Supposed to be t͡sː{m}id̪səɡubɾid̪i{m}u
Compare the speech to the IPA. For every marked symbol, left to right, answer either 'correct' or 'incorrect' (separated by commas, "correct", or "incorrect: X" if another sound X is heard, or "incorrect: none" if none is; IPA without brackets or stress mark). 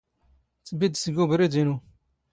incorrect: b, incorrect: n